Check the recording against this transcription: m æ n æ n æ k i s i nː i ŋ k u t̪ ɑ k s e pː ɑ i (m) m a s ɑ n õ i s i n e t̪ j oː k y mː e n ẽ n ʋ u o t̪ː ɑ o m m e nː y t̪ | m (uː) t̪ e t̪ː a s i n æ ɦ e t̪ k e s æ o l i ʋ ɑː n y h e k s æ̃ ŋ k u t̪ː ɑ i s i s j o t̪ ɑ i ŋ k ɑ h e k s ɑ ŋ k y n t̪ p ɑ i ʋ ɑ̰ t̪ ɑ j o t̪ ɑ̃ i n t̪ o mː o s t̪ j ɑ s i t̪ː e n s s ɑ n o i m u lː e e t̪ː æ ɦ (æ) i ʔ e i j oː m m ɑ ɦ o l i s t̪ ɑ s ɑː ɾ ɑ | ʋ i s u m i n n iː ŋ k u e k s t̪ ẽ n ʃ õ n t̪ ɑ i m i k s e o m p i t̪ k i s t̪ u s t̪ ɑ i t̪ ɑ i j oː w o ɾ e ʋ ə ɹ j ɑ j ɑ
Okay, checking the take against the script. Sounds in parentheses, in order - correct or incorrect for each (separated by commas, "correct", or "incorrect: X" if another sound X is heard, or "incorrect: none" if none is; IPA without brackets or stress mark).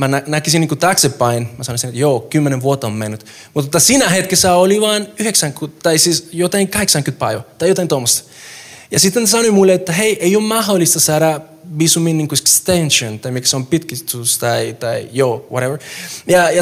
incorrect: n, incorrect: u, incorrect: e